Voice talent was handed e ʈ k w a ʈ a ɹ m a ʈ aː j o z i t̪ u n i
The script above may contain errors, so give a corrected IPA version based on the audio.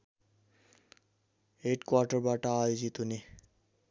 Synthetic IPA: e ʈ k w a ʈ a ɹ b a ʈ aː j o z i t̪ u n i